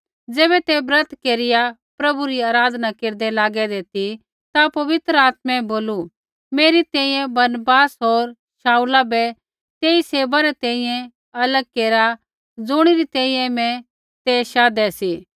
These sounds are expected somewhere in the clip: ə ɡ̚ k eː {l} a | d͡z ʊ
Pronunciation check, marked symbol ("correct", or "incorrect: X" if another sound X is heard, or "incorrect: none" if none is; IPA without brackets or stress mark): incorrect: ɾ